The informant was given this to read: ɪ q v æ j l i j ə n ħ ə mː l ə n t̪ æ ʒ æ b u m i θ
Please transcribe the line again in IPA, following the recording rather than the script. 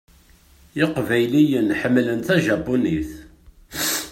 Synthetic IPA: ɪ q v æ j l i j ə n ħ ə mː l ə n t̪ æ ʒ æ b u n i θ